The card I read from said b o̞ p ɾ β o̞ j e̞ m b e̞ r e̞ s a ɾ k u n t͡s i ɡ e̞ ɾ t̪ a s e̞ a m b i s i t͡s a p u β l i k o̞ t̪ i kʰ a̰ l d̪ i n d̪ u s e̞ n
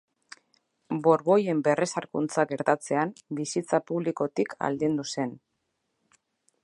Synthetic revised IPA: b o̞ ɾ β o̞ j e̞ m b e̞ r e̞ s a ɾ k u n t͡s a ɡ e̞ ɾ t̪ a t͡s e̞ a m b i s i t͡s a p u β l i k o̞ t̪ i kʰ a̰ l d̪ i n d̪ u s e̞ n